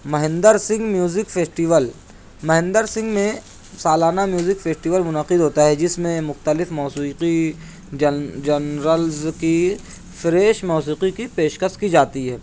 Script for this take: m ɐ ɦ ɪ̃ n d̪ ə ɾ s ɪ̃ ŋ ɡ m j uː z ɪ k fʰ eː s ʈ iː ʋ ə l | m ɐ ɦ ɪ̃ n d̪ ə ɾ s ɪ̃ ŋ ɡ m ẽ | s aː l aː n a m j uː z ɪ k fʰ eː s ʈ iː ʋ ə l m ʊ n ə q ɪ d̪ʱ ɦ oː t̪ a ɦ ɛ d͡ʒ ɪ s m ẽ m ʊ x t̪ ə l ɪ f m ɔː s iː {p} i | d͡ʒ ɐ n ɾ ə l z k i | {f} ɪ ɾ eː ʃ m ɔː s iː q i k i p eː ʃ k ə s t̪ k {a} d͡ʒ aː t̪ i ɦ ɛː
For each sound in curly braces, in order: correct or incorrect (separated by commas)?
incorrect, correct, incorrect